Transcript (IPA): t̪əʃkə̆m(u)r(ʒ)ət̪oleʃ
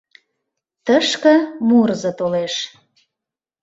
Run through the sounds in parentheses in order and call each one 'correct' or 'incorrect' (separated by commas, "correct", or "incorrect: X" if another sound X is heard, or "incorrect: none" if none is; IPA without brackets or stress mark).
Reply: correct, incorrect: z